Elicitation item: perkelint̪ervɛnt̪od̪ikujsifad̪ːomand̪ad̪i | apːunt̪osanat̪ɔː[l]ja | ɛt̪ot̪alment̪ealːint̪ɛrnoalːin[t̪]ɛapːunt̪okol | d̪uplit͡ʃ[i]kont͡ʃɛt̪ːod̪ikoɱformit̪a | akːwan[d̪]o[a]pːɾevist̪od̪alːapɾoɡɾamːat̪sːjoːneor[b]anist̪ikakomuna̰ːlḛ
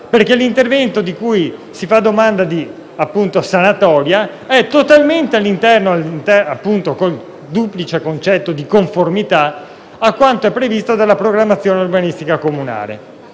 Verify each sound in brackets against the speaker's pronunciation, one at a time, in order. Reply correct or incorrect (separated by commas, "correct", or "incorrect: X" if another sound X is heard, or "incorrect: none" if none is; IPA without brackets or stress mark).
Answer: incorrect: ɾ, correct, incorrect: e, incorrect: t̪, incorrect: ɛ, correct